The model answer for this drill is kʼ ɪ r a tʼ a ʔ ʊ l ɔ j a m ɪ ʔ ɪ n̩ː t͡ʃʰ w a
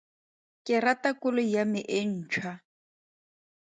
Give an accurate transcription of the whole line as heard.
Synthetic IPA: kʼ ɪ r a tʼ a k ʊ l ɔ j a m ɪ ʔ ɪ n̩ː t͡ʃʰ w a